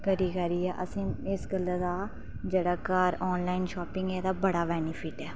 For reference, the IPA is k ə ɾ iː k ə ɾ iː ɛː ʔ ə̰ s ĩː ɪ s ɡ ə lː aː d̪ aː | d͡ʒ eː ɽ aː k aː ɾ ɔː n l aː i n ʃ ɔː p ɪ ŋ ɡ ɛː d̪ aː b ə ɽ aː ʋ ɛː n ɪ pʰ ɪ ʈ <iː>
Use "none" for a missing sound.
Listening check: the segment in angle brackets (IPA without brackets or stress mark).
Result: ɛː